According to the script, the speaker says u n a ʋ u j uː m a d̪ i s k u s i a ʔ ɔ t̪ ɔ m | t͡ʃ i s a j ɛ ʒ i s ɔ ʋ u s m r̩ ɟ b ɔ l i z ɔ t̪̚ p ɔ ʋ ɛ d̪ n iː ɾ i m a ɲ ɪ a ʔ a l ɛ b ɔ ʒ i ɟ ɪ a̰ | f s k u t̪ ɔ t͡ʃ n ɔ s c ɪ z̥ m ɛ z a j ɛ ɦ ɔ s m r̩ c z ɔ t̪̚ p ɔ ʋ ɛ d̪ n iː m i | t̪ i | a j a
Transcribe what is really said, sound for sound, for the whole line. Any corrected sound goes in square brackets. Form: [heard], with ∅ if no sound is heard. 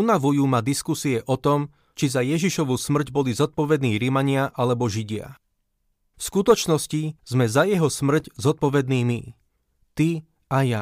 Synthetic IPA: u n a ʋ u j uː m a d̪ i s k u s i [ɛ] ʔ ɔ t̪ ɔ m | t͡ʃ i [z] a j ɛ ʒ i [ʃ] ɔ ʋ u s m r̩ ɟ b ɔ l i z ɔ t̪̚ p ɔ ʋ ɛ d̪ n iː ɾ i m a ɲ ɪ a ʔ a l ɛ b ɔ ʒ i ɟ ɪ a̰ | f s k u t̪ ɔ t͡ʃ n ɔ s c [i] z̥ m ɛ z a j ɛ ɦ ɔ s m r̩ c z ɔ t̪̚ p ɔ ʋ ɛ d̪ n iː m i | t̪ i | a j a